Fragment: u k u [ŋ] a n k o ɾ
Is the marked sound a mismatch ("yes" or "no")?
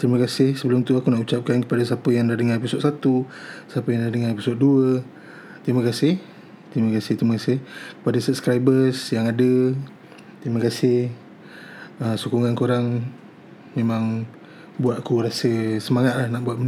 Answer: no